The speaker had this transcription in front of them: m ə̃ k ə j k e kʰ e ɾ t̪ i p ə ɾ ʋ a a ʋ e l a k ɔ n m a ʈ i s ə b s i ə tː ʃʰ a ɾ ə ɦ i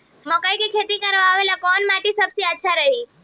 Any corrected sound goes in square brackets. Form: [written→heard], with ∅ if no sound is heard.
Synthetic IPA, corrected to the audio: m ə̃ k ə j k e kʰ e [ɾ→∅] t̪ i [p→k] ə ɾ ʋ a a ʋ e l a k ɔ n m a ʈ i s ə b s i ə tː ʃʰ a ɾ ə ɦ i